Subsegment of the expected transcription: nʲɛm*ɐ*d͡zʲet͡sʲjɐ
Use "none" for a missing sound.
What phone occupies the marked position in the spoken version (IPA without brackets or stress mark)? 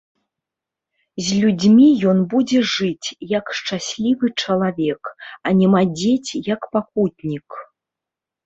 a